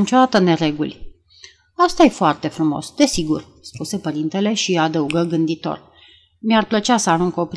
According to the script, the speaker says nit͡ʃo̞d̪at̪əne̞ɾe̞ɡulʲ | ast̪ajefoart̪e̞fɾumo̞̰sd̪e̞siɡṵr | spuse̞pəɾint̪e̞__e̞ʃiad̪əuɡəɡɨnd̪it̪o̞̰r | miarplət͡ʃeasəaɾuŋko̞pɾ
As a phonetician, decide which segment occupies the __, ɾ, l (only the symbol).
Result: l